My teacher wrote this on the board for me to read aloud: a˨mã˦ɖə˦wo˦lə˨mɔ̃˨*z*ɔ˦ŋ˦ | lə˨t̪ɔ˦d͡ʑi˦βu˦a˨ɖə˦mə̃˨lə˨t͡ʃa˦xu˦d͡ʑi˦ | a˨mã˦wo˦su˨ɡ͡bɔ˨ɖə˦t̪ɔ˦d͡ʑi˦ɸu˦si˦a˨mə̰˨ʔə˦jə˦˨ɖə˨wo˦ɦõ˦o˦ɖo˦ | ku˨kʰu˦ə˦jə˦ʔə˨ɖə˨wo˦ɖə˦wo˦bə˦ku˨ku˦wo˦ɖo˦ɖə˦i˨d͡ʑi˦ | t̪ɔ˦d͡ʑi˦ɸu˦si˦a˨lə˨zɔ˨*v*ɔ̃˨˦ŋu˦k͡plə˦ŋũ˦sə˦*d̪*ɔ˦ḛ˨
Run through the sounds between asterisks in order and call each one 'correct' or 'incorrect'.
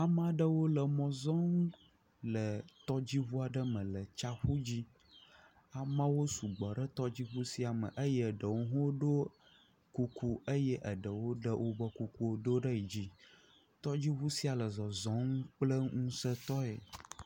correct, incorrect, incorrect

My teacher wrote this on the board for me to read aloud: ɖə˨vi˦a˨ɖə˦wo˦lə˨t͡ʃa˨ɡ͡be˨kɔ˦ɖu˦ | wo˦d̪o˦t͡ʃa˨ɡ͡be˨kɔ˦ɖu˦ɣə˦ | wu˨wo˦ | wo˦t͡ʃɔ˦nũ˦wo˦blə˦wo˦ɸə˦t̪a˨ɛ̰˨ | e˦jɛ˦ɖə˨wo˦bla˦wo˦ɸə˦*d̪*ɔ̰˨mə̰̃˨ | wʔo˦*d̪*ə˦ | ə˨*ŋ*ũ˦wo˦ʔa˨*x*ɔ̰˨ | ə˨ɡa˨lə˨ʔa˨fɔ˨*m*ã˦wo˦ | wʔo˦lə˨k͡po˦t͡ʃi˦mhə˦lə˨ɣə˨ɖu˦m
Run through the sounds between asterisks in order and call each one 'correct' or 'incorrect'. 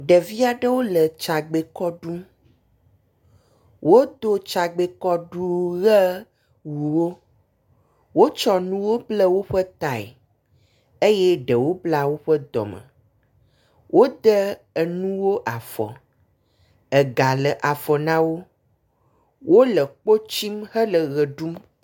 correct, correct, incorrect, incorrect, incorrect

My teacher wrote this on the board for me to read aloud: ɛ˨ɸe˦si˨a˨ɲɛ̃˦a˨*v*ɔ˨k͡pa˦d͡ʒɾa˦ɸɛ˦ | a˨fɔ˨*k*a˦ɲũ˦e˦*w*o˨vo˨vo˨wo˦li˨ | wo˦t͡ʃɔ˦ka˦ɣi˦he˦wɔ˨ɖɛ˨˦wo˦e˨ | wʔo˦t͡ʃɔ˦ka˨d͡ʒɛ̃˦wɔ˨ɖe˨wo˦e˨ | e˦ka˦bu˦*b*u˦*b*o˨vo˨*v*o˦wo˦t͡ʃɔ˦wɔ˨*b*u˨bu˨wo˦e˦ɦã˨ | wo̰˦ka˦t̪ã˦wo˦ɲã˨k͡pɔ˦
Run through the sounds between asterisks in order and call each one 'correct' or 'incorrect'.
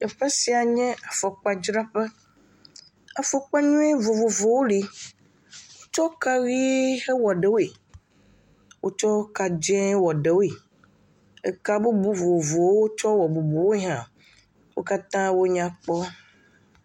incorrect, incorrect, incorrect, correct, incorrect, incorrect, correct

